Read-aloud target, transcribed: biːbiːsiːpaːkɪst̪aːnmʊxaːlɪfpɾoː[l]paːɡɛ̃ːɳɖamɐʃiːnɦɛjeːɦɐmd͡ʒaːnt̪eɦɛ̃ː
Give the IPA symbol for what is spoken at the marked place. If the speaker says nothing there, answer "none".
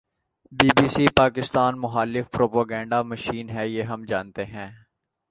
none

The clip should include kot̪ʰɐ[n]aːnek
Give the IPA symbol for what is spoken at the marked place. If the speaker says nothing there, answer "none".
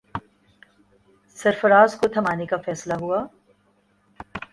m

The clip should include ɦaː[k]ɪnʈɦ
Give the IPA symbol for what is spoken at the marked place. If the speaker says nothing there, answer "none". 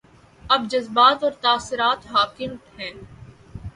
k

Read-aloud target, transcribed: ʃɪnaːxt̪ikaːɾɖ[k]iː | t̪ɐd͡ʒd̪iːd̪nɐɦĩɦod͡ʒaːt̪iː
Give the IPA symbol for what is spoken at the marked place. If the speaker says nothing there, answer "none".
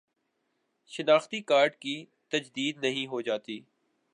k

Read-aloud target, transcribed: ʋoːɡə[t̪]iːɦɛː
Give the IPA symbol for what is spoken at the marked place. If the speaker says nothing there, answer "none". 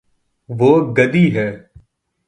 d̪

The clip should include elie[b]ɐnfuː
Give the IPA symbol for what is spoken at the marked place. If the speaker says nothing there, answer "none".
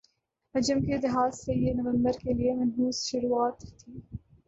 m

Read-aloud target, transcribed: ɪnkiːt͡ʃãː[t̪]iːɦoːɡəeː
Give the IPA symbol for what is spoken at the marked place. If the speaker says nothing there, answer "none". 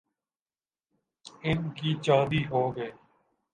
d̪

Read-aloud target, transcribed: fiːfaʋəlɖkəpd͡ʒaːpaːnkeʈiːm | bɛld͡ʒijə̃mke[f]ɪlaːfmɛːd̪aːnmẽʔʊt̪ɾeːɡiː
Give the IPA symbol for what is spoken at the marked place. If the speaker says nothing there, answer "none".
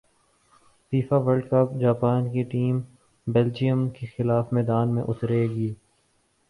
x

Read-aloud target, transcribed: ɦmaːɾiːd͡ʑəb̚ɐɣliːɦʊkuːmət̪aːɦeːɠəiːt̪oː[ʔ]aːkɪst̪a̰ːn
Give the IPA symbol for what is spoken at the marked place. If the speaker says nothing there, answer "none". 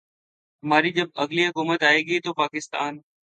p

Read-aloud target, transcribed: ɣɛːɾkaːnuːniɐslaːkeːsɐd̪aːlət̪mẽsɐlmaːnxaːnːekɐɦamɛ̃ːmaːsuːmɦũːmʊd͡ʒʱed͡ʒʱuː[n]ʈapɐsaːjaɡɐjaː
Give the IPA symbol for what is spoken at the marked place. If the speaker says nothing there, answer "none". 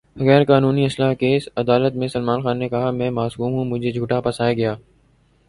none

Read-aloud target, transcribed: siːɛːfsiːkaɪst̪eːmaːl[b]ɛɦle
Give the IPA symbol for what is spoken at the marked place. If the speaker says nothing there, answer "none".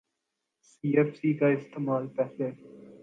p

